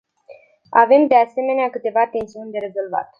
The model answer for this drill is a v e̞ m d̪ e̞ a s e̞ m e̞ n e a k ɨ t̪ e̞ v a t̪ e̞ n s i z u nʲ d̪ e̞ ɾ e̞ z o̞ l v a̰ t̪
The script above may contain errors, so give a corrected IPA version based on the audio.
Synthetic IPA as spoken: a v e̞ m d̪ e̞ a s e̞ m e̞ n e a k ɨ t̪ e̞ v a t̪ e̞ n s i u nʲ d̪ e̞ ɾ e̞ z o̞ l v a̰ t̪